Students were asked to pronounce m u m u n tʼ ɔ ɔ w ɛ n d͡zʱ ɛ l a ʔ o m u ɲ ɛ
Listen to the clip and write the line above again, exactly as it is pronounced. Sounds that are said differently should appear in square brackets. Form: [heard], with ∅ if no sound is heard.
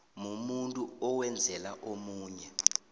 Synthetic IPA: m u m u n tʼ [u] ɔ w ɛ n d͡zʱ ɛ l a ʔ o m [uː] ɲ ɛ